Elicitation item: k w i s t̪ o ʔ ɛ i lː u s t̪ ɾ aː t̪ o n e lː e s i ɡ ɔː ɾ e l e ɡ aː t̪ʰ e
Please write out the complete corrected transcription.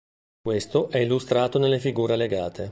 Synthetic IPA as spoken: k w e s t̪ o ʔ ɛ i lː u s t̪ ɾ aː t̪ o n e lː e f i ɡ uː ɾ e l e ɡ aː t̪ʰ e